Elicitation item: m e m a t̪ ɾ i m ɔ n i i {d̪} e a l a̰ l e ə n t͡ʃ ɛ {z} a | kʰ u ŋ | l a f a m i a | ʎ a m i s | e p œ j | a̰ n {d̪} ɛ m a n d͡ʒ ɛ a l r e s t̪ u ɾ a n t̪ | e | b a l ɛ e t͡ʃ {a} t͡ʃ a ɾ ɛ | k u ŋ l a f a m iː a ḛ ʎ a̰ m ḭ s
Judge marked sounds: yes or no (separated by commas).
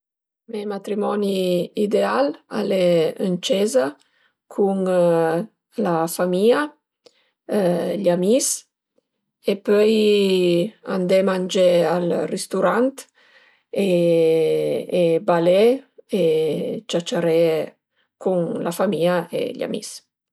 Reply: yes, yes, yes, yes